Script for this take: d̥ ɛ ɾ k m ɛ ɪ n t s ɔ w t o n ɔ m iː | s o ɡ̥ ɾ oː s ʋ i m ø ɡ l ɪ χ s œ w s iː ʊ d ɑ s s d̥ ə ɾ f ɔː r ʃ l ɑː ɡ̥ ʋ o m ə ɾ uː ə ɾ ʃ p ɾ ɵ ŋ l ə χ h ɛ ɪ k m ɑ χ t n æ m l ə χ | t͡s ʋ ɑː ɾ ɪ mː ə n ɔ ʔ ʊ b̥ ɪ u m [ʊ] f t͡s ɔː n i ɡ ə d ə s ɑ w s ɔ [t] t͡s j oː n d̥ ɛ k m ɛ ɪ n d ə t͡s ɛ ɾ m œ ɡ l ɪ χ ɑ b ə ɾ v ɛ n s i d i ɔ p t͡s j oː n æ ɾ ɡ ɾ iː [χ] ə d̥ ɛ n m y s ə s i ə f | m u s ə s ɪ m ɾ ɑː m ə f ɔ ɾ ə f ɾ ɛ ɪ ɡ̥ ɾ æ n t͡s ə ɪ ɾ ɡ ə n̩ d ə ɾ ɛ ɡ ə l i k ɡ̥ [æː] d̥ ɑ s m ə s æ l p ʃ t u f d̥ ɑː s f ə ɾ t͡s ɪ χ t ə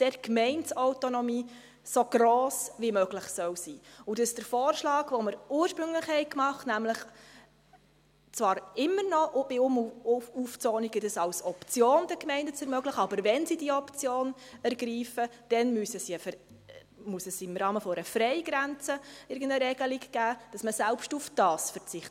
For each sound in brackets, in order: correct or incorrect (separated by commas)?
incorrect, incorrect, incorrect, correct